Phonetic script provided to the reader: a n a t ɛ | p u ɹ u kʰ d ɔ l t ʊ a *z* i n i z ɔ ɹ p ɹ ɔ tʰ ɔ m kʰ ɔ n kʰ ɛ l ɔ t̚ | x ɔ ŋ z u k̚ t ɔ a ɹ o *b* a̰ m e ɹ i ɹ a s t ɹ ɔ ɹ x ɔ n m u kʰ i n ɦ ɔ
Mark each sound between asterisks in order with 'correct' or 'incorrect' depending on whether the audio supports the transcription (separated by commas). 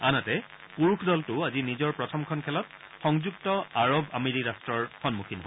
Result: correct, correct